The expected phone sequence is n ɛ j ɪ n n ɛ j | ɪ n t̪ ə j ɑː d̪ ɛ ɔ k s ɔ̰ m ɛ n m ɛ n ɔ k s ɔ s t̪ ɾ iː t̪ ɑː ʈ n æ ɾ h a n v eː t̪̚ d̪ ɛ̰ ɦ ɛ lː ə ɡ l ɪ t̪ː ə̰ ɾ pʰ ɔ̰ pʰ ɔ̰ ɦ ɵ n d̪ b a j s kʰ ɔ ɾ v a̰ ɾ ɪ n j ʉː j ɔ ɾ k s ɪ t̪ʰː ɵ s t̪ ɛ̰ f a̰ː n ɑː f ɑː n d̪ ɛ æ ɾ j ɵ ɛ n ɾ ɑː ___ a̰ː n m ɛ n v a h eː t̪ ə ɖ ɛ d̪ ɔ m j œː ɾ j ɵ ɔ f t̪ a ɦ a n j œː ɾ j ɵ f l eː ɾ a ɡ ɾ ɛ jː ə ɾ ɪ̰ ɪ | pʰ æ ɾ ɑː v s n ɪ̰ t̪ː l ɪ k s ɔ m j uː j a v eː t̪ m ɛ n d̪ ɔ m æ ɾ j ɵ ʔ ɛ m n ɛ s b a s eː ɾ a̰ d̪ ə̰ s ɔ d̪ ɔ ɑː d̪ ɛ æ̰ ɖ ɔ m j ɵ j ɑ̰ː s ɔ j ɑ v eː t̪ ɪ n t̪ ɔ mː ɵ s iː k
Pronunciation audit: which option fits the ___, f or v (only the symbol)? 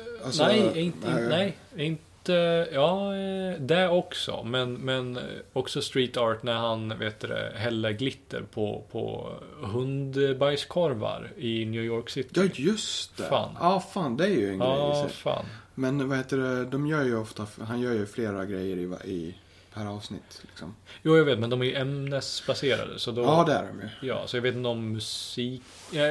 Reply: f